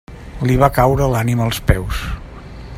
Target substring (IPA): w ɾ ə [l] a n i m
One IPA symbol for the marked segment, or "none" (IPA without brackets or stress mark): l